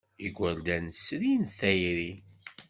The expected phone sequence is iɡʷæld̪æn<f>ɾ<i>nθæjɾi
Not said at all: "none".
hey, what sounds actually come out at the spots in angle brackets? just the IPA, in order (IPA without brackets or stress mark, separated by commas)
s, i